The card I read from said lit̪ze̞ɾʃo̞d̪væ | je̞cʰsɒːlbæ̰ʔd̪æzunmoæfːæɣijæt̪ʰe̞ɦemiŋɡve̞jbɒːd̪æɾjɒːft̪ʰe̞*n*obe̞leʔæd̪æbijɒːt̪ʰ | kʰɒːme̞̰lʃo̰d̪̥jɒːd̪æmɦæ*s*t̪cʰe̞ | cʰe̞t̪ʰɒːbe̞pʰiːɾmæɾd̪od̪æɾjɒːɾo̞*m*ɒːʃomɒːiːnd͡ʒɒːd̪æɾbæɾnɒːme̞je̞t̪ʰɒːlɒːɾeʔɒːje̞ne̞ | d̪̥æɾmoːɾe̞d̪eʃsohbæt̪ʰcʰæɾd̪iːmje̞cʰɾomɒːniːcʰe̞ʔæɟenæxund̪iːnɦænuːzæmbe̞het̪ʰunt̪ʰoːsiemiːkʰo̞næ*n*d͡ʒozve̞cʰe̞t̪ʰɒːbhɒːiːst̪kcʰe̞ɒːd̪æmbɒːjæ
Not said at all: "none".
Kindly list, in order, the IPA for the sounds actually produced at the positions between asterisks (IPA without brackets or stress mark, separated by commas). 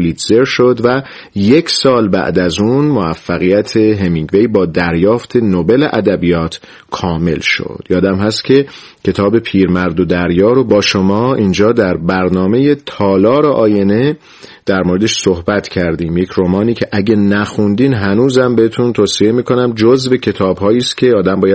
n, s, b, m